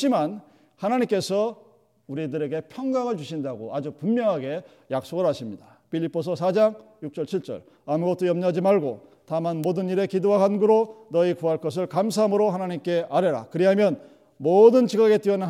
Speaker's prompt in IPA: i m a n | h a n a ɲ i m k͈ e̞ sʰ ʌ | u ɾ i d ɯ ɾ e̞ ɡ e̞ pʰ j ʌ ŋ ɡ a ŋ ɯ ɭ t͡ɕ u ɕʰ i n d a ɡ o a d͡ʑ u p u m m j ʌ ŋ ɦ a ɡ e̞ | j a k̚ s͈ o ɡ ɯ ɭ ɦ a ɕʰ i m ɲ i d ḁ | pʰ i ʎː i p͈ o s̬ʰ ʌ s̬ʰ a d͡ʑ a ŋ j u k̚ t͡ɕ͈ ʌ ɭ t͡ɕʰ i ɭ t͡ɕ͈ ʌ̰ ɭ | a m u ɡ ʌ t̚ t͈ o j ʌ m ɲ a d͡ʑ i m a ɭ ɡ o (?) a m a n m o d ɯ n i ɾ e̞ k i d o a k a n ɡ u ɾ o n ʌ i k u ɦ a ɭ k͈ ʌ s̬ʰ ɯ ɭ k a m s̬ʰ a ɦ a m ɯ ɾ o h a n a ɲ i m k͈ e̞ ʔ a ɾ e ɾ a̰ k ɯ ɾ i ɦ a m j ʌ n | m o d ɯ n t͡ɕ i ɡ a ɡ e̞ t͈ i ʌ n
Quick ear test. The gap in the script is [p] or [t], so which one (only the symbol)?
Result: t